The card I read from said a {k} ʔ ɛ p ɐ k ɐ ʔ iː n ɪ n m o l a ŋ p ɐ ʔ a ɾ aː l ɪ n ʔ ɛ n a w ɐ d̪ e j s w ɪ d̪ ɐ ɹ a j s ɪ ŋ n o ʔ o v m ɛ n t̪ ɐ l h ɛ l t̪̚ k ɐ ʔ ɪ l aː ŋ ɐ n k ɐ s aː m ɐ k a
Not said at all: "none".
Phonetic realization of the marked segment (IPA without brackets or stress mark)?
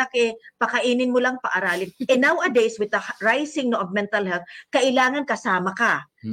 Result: k